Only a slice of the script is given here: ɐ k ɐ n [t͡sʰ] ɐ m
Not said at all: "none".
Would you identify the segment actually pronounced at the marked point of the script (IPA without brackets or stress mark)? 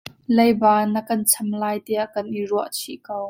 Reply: t͡sʰ